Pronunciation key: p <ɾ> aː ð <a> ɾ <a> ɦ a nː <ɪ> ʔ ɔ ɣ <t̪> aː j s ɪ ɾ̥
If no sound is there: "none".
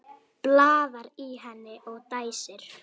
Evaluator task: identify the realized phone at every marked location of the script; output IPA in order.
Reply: l, a, i, ɪ, t̪

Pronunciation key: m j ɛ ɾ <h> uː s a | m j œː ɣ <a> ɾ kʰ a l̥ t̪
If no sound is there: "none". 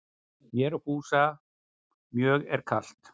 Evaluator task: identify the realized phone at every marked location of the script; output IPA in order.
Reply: h, ɛ

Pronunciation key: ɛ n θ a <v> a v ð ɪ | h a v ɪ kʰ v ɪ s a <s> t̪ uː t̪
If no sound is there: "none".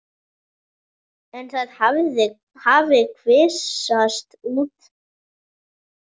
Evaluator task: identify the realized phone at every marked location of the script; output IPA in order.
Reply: ð, s

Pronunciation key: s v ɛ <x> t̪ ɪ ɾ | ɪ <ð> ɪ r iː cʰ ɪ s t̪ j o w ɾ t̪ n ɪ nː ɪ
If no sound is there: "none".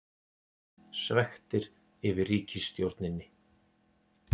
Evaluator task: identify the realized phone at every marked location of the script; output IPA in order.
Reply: x, v

